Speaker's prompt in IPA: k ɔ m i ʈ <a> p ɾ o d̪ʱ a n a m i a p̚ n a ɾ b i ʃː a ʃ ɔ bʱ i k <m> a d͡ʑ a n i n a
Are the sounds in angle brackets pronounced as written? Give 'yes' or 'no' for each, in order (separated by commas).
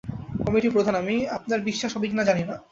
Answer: no, no